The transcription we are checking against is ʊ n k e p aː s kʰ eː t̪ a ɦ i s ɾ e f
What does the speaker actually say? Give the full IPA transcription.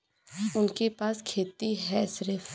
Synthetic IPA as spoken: ʊ n k e p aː s kʰ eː t̪ i ɦ ɛ s ɾ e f